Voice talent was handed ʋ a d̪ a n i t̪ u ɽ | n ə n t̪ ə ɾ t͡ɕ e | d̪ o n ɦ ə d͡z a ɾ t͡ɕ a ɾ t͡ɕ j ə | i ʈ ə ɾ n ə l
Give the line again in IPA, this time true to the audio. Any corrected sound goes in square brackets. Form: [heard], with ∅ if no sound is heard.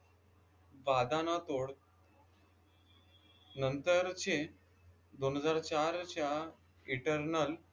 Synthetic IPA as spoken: ʋ a d̪ a n [a] t̪ [o] ɽ | n ə n t̪ ə ɾ t͡ɕ e | d̪ o n ɦ ə d͡z a ɾ t͡ɕ a ɾ t͡ɕ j [a] | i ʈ ə ɾ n ə l